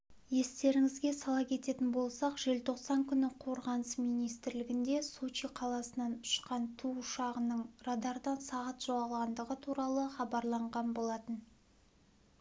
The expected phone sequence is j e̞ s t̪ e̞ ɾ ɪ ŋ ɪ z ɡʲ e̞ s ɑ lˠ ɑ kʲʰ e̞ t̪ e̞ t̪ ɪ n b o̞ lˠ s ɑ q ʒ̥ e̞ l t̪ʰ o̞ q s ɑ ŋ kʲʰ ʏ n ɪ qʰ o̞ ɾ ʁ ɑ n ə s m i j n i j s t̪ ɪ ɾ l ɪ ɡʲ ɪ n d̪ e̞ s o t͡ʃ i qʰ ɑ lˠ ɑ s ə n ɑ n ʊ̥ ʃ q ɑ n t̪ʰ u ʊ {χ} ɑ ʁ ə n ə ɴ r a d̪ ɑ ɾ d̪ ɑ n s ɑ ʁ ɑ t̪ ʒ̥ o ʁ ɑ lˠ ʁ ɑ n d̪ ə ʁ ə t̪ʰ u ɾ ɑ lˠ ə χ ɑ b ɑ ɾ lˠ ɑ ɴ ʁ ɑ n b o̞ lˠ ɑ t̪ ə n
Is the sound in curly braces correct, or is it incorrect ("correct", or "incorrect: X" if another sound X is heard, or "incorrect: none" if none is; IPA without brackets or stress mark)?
incorrect: ʃ